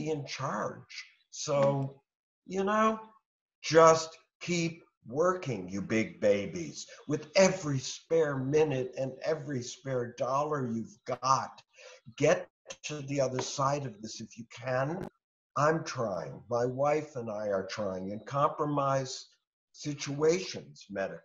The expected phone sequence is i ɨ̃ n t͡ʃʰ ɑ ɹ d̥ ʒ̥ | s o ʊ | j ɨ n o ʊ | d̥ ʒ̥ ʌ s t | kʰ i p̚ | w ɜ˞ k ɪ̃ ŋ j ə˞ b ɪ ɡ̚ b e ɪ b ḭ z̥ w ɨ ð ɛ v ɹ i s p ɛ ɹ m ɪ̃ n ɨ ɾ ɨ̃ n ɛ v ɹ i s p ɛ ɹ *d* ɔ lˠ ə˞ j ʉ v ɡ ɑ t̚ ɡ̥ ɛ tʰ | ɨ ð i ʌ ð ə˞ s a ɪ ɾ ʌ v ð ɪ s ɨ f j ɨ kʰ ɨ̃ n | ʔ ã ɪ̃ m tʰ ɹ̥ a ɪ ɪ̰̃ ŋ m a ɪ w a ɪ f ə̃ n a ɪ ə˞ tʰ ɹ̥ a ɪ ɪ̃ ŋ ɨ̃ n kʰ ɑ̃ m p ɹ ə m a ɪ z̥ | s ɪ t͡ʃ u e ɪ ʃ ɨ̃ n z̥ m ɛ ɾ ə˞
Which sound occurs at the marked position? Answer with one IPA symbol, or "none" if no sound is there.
d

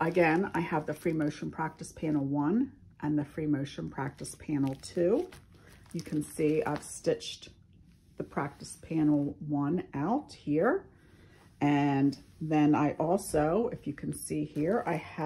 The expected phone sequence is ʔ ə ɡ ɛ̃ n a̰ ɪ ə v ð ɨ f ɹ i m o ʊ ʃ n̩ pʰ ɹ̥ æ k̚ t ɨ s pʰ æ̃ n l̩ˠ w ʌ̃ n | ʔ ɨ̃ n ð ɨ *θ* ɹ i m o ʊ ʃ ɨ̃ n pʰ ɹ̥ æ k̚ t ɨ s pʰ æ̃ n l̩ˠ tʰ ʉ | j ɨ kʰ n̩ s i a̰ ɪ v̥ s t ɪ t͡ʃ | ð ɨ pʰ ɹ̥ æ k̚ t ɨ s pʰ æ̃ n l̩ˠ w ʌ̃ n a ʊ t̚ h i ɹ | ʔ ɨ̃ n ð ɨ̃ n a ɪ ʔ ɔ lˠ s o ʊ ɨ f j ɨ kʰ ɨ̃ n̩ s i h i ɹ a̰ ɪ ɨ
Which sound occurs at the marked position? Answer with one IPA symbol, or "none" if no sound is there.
f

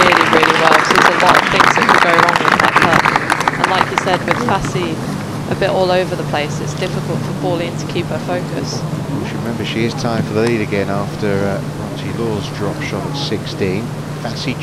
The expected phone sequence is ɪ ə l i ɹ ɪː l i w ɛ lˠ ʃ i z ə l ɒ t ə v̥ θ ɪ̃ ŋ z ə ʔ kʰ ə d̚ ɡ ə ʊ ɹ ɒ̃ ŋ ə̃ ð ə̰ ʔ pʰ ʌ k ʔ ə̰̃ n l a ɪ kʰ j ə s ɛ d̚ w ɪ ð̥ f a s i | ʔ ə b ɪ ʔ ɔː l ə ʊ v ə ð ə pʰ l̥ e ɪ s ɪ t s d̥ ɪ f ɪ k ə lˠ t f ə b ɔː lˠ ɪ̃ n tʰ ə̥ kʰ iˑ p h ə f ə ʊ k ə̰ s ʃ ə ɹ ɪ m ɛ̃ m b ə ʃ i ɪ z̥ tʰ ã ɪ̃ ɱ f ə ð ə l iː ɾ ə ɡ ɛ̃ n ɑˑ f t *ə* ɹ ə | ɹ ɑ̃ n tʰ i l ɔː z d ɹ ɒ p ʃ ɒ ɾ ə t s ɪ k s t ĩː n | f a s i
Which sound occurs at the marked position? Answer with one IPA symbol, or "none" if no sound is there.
ə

